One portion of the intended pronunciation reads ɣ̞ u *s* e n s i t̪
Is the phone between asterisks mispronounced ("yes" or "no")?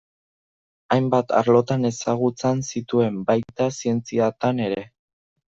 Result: yes